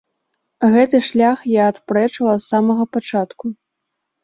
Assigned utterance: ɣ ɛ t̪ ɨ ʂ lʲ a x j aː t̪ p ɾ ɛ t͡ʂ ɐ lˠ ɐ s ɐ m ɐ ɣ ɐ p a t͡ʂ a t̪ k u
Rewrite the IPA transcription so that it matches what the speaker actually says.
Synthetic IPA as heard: ɣ ɛ t̪ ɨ ʂ lʲ a x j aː t̪ p ɾ ɛ t͡ʂ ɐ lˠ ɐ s a m ɐ ɣ ɐ p a t͡ʂ a t̪ k u